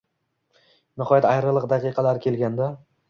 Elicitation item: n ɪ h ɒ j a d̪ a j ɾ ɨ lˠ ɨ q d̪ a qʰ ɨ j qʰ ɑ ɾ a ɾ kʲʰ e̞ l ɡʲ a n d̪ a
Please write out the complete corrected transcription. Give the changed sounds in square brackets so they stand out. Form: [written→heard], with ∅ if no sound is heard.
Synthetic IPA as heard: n ɪ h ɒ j a [d̪→t̪] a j ɾ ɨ lˠ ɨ q d̪ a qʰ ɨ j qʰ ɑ [ɾ→l] a ɾ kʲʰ e̞ l ɡʲ a n d̪ a